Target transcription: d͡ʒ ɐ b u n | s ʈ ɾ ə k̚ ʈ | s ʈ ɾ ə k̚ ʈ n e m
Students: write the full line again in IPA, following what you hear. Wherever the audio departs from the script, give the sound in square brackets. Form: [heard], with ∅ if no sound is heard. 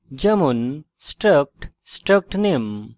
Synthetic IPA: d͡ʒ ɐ [m] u n | s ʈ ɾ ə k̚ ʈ | s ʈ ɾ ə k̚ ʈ n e m